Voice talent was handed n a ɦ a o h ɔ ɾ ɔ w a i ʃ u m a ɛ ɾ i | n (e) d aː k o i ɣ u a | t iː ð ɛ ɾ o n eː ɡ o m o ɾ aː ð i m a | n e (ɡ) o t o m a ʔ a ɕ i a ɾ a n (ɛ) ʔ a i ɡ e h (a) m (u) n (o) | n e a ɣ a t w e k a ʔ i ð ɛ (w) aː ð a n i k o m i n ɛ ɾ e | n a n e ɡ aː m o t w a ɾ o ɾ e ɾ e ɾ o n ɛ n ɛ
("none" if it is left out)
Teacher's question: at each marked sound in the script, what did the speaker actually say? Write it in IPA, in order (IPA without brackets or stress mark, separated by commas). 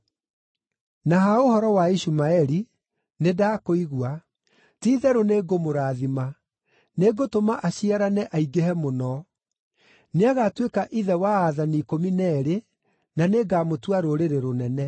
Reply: e, ɡ, ɛ, ɛ, o, ɔ, w